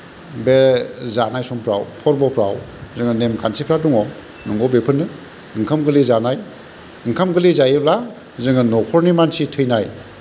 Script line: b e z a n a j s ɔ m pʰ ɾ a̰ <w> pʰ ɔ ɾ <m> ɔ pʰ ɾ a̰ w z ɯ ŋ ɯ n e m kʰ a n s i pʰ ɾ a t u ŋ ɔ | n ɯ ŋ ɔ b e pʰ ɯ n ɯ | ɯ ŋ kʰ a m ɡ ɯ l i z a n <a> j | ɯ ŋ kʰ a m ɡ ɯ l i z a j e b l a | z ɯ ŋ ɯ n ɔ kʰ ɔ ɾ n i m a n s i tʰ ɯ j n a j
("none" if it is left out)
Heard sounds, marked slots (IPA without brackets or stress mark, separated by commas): w, b, a